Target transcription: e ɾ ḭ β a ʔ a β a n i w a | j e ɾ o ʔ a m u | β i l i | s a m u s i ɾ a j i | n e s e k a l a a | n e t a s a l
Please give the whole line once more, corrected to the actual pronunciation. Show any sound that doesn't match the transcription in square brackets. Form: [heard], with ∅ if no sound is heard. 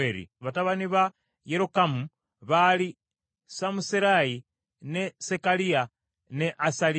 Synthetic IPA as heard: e ɾ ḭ β a [t] a β a n i [β] a | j e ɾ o [k] a m u | β [a] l i | s a m u s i ɾ a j i | n e s e k a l [i] a | n e [ʔ] a s a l